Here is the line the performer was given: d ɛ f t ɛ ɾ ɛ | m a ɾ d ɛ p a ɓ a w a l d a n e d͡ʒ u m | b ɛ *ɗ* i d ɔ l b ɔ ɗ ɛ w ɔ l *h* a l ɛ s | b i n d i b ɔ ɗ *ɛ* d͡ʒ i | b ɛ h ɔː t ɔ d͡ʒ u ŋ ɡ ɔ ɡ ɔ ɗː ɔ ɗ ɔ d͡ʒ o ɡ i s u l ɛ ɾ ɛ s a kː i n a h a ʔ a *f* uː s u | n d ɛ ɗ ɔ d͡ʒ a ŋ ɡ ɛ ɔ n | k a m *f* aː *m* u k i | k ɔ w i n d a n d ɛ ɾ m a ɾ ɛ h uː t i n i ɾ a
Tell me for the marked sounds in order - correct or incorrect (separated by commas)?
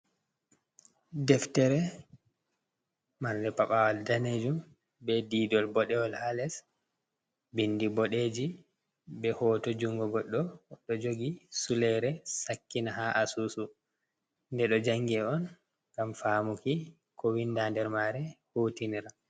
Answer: incorrect, correct, incorrect, incorrect, correct, correct